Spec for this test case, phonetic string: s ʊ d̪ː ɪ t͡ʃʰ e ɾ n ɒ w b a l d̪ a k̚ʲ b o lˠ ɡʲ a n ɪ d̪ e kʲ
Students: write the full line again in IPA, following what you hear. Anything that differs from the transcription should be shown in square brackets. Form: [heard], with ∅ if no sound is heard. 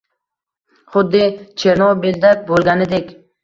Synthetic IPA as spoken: [χ] ʊ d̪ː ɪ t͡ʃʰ e ɾ n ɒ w b [e] l d̪ a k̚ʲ b o lˠ ɡʲ a n ɪ d̪ e kʲ